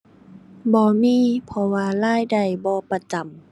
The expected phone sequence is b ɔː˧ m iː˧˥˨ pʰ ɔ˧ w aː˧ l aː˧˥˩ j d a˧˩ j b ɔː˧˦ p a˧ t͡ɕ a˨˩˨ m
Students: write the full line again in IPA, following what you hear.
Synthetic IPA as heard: b ɔː˧ m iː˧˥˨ pʰ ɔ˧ w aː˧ l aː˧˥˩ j d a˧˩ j b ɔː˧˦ p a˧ t͡ɕ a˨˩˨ m